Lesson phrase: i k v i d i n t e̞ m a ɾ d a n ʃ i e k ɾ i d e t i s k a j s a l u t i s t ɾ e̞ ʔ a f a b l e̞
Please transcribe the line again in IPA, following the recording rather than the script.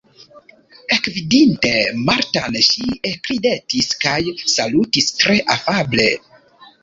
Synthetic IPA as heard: e k v i d i n t e̞ m a ɾ t a n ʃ i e k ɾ i d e t i s k a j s a l u t i s t ɾ e̞ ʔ a f a b l e̞